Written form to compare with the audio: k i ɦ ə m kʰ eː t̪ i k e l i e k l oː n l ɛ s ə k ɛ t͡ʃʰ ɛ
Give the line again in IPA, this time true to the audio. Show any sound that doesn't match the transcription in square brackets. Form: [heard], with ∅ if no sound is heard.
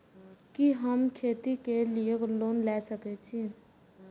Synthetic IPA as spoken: k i ɦ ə m kʰ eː t̪ i k e l i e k l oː n l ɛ s ə k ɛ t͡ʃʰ [i]